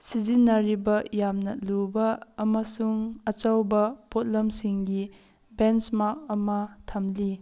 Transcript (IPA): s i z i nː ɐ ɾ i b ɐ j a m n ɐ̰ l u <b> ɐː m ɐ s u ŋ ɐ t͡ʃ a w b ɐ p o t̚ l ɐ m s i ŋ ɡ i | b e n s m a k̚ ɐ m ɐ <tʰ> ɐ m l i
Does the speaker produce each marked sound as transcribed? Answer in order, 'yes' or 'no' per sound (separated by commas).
yes, yes